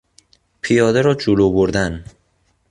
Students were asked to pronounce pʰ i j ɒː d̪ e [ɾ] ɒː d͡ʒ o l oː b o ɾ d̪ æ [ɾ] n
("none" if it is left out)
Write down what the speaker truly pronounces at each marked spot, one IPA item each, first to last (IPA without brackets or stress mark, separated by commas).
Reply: ɾ, none